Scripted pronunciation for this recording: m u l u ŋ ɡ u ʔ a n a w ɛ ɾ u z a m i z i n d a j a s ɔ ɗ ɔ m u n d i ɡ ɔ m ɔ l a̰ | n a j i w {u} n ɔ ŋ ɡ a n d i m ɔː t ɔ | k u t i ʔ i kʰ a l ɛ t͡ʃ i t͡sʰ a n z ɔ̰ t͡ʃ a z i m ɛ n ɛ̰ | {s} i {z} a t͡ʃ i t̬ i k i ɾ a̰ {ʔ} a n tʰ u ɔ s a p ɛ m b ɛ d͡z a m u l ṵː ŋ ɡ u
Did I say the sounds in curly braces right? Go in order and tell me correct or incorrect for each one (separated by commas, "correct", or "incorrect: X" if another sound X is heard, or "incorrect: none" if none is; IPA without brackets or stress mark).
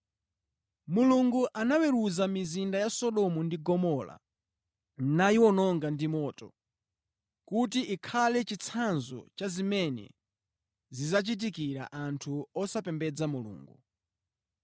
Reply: incorrect: ɔ, incorrect: z, correct, correct